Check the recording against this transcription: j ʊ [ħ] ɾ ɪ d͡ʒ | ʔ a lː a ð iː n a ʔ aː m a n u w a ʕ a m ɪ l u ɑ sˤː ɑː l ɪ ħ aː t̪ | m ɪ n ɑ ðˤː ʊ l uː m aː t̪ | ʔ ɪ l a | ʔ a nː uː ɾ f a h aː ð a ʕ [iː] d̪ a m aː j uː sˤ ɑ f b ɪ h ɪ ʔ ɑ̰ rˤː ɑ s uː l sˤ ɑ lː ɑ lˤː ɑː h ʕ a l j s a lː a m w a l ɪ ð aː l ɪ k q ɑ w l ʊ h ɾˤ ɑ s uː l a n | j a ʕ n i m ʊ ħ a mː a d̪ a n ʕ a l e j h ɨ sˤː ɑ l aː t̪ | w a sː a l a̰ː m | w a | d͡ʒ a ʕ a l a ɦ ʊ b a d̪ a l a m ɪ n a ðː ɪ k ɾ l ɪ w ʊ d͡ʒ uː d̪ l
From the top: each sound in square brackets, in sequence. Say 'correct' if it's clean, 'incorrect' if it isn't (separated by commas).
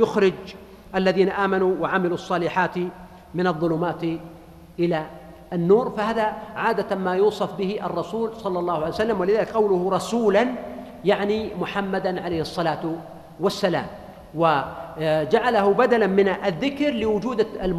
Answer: incorrect, incorrect